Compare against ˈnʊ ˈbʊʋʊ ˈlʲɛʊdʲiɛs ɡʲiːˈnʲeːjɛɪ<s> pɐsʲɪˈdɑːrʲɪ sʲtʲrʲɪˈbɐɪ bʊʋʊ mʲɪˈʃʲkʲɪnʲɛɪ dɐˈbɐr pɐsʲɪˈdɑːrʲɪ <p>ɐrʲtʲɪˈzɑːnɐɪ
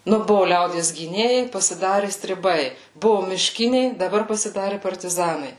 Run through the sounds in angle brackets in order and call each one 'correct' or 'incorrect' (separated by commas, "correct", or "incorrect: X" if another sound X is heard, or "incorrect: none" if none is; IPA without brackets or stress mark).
incorrect: none, correct